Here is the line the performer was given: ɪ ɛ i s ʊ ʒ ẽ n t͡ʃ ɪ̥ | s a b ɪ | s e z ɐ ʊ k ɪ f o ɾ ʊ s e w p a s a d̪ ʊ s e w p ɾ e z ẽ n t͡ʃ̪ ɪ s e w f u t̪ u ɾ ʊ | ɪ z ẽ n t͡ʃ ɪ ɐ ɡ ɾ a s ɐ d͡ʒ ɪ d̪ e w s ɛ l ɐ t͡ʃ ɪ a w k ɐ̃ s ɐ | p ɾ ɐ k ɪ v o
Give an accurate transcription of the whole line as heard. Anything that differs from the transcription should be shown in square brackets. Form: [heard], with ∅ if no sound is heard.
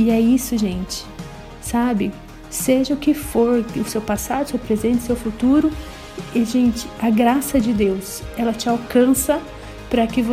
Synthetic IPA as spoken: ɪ ɛ i s ʊ ʒ ẽ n t͡ʃ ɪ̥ | s a b ɪ | s e [ʒ] ɐ ʊ k ɪ f o ɾ ʊ s e w p a s a d̪ ʊ s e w p ɾ e z ẽ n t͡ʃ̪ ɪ s e w f u t̪ u ɾ ʊ | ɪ [ʒ] ẽ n t͡ʃ ɪ ɐ ɡ ɾ a s ɐ d͡ʒ ɪ d̪ e w s ɛ l ɐ t͡ʃ ɪ a w k ɐ̃ s ɐ | p ɾ ɐ k ɪ v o